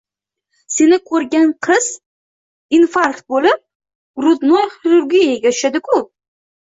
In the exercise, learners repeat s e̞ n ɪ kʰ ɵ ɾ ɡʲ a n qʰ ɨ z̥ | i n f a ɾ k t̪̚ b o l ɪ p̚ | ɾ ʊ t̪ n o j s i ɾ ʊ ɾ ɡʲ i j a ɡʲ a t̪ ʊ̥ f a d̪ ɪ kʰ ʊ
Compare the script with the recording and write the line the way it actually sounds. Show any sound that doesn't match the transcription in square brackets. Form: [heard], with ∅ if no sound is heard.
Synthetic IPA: s e̞ n ɪ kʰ ɵ ɾ ɡʲ a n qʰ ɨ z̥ | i n f a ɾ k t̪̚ b o l ɪ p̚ | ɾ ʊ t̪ n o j [χ] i ɾ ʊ ɾ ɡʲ i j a ɡʲ a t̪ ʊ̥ [ʃ] a d̪ ɪ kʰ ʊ